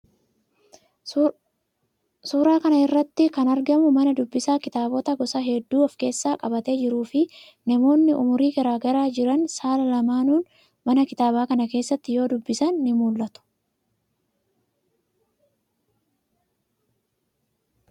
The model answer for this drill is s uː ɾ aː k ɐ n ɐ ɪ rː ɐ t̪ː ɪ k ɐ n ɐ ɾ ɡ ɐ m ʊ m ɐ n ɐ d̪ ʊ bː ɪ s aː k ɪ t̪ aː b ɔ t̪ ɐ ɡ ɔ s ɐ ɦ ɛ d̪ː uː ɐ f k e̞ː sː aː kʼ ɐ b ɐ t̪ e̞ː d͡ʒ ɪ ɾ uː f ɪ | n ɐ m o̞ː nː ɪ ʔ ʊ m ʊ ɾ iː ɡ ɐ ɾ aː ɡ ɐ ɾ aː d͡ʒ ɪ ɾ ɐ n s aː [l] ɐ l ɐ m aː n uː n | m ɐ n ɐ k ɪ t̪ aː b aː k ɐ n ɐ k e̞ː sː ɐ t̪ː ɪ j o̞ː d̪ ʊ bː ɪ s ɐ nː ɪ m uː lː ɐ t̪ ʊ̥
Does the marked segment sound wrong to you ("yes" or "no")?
no